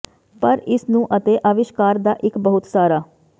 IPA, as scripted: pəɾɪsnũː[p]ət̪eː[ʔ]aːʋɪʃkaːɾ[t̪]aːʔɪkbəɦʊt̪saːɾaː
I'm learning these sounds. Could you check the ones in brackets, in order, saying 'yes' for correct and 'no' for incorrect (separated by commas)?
no, yes, no